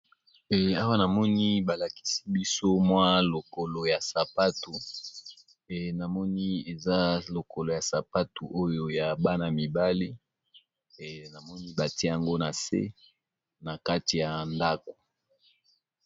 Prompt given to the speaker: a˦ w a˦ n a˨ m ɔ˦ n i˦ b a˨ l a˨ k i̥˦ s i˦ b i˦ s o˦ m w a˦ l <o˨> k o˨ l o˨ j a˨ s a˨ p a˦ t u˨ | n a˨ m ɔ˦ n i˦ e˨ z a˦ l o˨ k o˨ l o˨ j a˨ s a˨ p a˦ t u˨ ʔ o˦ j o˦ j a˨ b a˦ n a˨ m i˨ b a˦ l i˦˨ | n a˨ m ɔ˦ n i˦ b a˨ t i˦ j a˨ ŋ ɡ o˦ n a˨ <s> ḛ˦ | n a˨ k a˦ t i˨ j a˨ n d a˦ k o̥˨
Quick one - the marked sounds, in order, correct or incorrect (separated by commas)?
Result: correct, correct